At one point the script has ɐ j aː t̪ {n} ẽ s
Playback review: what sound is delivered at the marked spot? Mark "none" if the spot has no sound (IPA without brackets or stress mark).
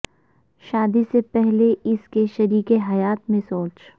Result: m